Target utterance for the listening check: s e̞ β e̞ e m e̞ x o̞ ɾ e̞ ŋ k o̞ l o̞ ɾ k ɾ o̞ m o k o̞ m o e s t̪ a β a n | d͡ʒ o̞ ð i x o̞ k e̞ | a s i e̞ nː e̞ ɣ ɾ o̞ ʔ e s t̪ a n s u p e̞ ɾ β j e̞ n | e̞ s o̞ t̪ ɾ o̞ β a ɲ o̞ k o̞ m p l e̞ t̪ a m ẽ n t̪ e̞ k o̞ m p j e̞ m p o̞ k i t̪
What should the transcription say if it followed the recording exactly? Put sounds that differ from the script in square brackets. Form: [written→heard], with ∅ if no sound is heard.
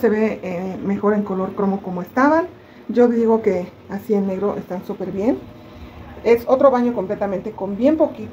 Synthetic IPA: s e̞ β e̞ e m e̞ x o̞ ɾ e̞ ŋ k o̞ l o̞ ɾ k ɾ o̞ m o k o̞ m o e s t̪ a β a n | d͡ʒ o̞ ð i [x→ɣ] o̞ k e̞ | a s i e̞ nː e̞ ɣ ɾ o̞ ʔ e s t̪ a n s u p e̞ ɾ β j e̞ n | e̞ s o̞ t̪ ɾ o̞ β a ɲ o̞ k o̞ m p l e̞ t̪ a m ẽ n t̪ e̞ k o̞ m [p→b] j e̞ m p o̞ k i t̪